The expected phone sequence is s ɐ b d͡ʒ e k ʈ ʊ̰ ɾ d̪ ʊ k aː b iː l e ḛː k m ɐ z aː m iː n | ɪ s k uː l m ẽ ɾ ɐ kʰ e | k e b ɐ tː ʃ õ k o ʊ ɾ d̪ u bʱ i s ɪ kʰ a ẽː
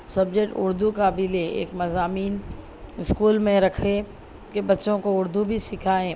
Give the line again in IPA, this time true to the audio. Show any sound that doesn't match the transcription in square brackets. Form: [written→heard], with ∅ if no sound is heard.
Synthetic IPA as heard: s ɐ b d͡ʒ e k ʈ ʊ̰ ɾ d̪ [ʊ→u] k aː b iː l e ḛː k m ɐ z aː m iː n | ɪ s k uː l m ẽ ɾ ɐ kʰ e | k e b ɐ tː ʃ õ k o ʊ ɾ d̪ u bʱ i s ɪ kʰ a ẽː